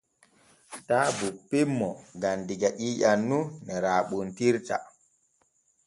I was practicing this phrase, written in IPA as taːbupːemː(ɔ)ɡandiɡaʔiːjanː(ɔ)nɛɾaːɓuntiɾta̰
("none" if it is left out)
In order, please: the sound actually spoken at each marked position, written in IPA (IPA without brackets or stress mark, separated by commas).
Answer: ɔ, u